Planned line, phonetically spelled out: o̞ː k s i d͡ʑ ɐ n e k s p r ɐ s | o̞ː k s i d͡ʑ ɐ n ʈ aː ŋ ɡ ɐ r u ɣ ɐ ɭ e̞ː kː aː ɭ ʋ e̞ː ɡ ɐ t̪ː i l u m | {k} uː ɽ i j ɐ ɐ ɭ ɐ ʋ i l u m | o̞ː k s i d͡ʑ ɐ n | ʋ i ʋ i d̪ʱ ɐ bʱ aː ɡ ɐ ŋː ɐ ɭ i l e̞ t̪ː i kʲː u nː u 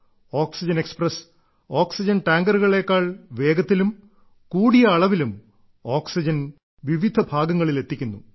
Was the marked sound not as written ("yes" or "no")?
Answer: no